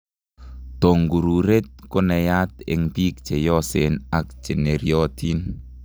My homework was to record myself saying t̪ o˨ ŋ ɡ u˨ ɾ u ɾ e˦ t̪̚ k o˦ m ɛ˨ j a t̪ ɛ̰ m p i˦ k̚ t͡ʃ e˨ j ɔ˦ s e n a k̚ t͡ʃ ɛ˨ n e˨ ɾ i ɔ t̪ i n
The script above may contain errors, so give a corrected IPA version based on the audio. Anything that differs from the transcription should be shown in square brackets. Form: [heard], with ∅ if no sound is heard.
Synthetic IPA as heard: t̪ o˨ ŋ ɡ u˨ ɾ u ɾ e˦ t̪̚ k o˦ [n] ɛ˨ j a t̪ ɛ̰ [ŋ] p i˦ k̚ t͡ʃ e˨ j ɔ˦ s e n a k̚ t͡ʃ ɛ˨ n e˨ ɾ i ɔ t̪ i n